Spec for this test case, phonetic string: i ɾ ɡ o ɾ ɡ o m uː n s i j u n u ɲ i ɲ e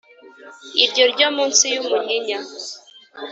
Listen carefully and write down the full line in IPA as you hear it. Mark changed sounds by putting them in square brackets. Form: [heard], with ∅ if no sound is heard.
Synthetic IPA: i ɾ [ɟ] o ɾ [ɟ] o m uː n s i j u [m] u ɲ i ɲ [a]